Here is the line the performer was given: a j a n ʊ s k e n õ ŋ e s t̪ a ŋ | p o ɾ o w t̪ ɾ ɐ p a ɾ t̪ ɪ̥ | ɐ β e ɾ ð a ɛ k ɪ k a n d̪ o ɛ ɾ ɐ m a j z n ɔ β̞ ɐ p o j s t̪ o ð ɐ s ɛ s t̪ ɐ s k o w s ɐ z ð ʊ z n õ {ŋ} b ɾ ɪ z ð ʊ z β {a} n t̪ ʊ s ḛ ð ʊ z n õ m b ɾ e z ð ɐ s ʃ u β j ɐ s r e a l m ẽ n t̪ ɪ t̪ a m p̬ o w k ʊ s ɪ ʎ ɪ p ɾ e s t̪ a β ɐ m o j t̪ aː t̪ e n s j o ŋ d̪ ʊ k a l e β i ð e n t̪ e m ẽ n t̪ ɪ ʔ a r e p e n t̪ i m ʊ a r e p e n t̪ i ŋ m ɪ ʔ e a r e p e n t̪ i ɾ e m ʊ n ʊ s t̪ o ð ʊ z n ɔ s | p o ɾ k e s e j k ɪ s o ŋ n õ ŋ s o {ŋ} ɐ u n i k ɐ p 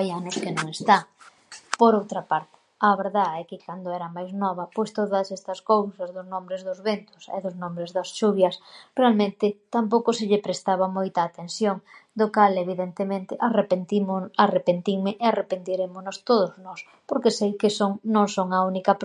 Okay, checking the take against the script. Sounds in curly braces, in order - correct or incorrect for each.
incorrect, incorrect, correct

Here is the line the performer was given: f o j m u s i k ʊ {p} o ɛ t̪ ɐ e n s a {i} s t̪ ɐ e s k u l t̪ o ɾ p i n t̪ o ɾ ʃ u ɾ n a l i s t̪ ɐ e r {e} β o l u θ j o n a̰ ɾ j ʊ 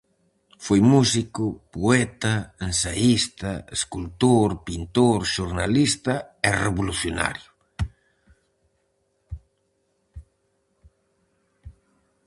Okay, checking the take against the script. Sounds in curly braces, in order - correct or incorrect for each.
correct, correct, correct

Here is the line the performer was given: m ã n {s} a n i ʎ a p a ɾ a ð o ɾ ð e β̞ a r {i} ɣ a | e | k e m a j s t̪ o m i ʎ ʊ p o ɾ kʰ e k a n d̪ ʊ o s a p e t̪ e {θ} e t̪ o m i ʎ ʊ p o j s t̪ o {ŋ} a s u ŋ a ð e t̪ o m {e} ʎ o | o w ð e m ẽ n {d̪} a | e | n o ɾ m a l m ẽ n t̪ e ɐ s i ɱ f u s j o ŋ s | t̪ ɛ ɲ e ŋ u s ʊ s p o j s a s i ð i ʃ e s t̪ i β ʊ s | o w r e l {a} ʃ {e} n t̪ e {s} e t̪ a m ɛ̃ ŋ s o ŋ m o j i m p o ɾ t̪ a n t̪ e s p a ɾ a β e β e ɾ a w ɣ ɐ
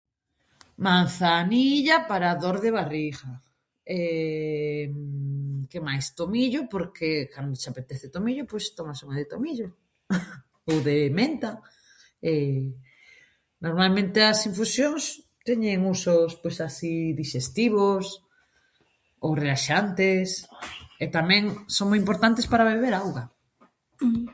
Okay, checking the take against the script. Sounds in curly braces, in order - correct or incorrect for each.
incorrect, correct, correct, incorrect, incorrect, incorrect, correct, incorrect, correct

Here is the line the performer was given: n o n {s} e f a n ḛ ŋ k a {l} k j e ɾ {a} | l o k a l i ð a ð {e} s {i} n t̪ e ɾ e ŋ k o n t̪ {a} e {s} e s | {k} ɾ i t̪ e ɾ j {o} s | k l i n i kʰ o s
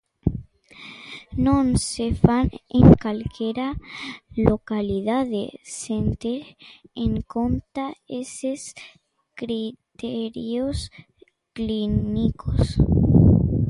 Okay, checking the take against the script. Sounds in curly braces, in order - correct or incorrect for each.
correct, correct, correct, correct, incorrect, correct, correct, correct, correct

